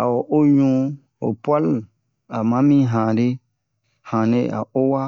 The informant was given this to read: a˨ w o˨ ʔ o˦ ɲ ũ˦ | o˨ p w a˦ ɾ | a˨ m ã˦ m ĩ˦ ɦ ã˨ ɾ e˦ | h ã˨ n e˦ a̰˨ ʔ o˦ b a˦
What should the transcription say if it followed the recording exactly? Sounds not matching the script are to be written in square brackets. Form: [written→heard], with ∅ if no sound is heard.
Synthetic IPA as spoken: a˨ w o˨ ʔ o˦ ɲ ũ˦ | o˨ p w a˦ [ɾ→l] | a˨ m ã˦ m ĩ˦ ɦ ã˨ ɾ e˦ | h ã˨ n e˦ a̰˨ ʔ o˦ [b→w] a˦